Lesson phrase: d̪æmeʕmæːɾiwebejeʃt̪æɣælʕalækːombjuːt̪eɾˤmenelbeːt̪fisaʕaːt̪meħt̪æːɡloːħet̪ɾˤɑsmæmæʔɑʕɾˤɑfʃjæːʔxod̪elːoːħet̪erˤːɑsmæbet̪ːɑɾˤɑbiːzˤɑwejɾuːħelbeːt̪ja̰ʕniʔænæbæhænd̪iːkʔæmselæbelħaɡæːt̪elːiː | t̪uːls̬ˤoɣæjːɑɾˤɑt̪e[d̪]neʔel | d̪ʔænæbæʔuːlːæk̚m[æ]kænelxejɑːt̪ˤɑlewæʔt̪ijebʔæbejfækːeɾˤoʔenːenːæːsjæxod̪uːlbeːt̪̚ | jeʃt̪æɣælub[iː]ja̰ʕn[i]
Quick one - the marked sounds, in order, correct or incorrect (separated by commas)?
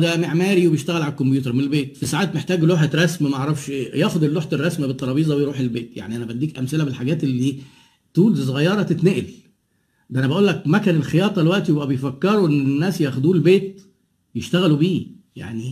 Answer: incorrect, correct, correct, correct